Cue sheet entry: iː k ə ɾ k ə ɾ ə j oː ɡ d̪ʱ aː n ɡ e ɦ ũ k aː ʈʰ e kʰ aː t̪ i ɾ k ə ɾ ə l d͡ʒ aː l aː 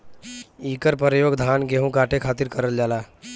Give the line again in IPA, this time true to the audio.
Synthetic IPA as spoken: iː k ə ɾ p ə ɾ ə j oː ɡ d̪ʱ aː n ɡ e ɦ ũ k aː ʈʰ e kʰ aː t̪ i ɾ k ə ɾ ə l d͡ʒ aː l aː